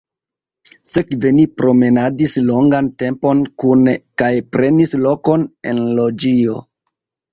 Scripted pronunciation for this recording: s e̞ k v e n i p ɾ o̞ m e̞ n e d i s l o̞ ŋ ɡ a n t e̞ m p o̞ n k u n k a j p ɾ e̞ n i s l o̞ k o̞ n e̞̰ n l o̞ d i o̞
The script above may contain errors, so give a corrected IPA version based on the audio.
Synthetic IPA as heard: s e̞ k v e n i p ɾ o̞ m e̞ n a d i s l o̞ ŋ ɡ a n t e̞ m p o̞ n k u n k a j p ɾ e̞ n i s l o̞ k o̞ n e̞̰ n l o̞ d͡ʒ i o̞